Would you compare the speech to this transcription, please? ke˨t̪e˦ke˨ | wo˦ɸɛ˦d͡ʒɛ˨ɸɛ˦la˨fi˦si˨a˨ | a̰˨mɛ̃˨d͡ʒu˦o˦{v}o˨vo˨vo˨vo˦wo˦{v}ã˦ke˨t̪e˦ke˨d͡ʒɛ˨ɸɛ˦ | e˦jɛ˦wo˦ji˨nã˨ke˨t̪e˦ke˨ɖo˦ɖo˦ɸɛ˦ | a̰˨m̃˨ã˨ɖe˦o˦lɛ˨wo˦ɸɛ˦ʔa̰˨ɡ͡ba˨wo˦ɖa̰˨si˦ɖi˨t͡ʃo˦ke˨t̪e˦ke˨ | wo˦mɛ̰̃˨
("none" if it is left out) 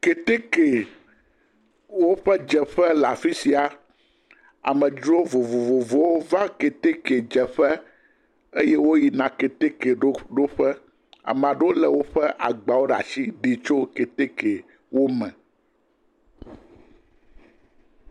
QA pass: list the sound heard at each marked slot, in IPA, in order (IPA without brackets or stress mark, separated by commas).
v, v